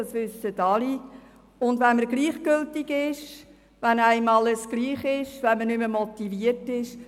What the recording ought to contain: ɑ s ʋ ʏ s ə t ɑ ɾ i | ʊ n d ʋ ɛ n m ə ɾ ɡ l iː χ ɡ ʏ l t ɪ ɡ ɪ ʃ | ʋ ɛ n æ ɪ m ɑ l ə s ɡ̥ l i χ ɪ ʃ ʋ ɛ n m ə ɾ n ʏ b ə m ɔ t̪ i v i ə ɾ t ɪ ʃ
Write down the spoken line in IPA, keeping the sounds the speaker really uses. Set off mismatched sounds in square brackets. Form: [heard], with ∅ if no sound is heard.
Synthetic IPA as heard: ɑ s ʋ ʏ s ə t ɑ [l] i | ʊ n d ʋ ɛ n m ə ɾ ɡ l iː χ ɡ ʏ l t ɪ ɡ ɪ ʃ | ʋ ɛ n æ ɪ m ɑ l ə s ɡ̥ l [iː] χ ɪ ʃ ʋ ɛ n m ə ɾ n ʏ [m] ə m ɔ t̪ i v i ə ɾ t ɪ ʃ